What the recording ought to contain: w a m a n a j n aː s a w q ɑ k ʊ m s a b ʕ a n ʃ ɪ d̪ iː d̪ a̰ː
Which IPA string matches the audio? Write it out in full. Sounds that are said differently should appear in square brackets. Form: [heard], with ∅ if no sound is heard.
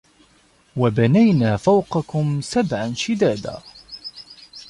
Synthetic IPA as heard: w a [b] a n a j n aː [f] a w q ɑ k ʊ m s a b ʕ a n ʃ ɪ d̪ [aː] d̪ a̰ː